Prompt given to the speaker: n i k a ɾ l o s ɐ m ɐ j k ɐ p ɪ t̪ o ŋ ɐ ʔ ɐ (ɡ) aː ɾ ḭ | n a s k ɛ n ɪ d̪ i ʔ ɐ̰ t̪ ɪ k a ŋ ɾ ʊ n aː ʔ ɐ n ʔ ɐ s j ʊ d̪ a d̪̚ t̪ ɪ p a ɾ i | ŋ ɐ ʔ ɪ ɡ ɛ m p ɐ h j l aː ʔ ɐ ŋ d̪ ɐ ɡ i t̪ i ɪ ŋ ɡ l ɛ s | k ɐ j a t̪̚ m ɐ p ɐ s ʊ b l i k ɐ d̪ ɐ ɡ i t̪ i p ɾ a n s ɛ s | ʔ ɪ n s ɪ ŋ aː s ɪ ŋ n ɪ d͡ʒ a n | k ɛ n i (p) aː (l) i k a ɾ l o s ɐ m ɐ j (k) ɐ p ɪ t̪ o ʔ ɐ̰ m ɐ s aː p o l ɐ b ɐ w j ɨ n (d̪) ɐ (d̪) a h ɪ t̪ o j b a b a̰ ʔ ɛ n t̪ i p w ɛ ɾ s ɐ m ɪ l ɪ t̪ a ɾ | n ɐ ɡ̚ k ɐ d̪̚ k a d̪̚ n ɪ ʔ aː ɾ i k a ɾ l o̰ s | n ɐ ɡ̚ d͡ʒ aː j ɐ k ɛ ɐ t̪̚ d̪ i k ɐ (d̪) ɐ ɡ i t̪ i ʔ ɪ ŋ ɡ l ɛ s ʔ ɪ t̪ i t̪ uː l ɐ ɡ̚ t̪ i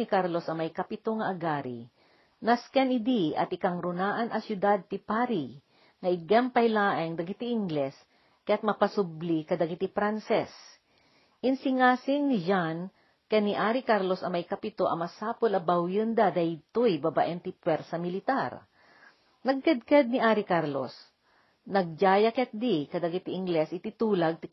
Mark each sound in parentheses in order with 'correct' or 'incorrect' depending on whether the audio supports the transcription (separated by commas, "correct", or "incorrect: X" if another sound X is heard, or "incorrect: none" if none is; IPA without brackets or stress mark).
correct, incorrect: ʔ, incorrect: ɾ, correct, correct, correct, correct